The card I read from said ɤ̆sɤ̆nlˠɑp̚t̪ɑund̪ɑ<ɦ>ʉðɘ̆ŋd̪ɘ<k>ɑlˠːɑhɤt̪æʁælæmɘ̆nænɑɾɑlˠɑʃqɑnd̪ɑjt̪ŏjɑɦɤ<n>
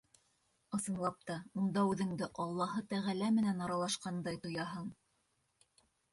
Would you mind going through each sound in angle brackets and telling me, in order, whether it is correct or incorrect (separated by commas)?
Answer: incorrect, incorrect, incorrect